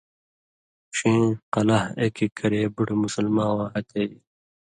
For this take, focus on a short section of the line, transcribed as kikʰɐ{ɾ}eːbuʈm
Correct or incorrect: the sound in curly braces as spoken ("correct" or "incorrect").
correct